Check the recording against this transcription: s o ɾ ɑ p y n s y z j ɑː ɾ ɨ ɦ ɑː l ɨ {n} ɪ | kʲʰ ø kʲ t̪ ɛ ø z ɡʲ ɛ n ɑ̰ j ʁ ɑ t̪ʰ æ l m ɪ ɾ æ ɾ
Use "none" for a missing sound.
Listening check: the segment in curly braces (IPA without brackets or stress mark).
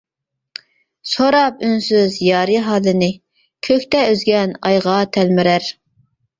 n